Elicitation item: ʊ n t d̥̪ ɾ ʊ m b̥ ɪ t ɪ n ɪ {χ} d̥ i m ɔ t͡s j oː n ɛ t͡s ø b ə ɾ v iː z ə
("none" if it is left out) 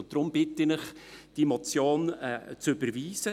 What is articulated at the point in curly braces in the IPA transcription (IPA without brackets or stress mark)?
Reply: χ